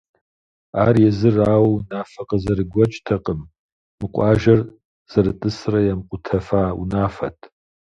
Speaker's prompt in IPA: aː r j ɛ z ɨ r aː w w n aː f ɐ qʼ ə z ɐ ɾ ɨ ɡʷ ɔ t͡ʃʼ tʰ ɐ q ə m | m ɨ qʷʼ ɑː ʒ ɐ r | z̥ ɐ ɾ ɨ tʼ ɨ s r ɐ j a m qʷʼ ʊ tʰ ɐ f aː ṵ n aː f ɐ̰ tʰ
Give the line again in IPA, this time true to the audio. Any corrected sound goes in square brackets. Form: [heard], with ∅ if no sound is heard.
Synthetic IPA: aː r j ɛ z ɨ r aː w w n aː f ɐ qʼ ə z ɐ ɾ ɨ ɡʷ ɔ t͡ʃʼ tʰ ɐ q ə m | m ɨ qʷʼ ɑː ʒ ɐ r | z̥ ɐ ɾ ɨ tʼ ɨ s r ɐ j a m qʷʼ ʊ tʰ ɐ f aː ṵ n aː f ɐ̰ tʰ